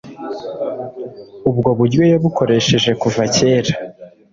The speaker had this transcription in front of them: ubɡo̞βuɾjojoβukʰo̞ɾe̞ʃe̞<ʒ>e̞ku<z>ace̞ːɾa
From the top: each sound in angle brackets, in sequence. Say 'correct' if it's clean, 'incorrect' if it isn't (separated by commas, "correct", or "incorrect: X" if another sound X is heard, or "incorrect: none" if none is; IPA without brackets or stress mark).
correct, incorrect: v